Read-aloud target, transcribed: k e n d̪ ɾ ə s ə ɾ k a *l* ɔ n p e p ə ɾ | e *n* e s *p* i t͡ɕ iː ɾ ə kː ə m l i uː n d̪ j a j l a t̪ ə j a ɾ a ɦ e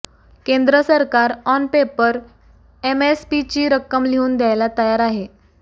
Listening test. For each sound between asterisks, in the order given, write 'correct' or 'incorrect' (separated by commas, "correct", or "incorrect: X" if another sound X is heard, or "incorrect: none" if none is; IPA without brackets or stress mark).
incorrect: ɾ, incorrect: m, correct